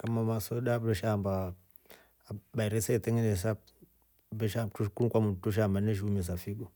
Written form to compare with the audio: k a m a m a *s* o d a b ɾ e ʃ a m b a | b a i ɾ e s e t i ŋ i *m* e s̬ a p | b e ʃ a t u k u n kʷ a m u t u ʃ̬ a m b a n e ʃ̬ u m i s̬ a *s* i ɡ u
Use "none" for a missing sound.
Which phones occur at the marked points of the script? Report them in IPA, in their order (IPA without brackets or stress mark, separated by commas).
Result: s, n, f